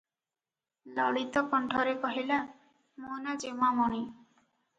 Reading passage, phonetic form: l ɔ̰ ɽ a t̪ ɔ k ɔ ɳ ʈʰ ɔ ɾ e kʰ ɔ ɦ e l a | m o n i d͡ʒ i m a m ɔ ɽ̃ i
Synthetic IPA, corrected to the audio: l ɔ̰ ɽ i t̪ ɔ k ɔ ɳ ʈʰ ɔ ɾ e k ɔ ɦ i l a | m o n a d͡ʒ e m a m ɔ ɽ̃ i